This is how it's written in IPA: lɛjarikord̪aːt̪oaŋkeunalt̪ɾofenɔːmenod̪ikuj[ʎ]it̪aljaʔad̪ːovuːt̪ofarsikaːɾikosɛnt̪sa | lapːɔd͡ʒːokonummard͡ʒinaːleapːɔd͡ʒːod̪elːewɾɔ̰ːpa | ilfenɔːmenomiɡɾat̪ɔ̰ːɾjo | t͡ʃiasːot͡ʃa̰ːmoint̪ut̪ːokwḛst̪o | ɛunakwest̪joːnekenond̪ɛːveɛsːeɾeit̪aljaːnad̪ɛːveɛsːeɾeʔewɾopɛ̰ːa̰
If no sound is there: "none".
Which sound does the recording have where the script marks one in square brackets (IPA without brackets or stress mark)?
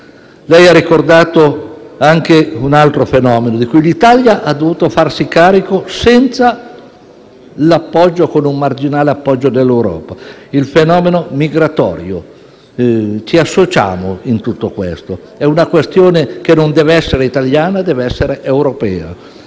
l